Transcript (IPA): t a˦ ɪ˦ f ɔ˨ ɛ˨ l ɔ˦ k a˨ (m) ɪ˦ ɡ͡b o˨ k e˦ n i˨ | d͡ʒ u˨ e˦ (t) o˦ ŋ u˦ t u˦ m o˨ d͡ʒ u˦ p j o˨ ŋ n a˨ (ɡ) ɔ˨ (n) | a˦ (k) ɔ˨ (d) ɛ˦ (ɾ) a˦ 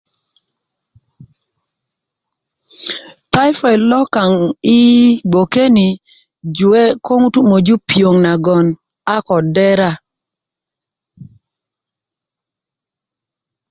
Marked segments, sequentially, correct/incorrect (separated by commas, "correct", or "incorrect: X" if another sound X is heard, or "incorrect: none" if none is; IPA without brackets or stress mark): incorrect: ŋ, incorrect: k, correct, correct, correct, correct, correct